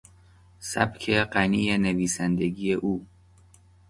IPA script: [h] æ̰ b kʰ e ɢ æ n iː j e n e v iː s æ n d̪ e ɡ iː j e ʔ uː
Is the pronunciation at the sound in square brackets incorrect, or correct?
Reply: incorrect